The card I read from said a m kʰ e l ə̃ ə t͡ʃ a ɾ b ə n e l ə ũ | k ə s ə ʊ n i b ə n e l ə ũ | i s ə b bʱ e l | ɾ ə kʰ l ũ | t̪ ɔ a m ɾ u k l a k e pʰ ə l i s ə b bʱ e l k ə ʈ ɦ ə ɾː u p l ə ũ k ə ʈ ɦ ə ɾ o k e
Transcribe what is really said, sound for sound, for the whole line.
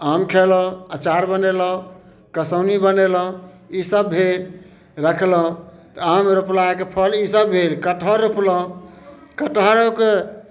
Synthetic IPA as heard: a m kʰ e l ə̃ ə t͡ʃ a ɾ b ə n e l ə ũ | k ə s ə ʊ n i b ə n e l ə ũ | i s ə b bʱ e l | ɾ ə kʰ l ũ | t̪ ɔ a m ɾ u p l a k e pʰ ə l i s ə b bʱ e l k ə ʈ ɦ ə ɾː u p l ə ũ k ə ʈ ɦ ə ɾ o k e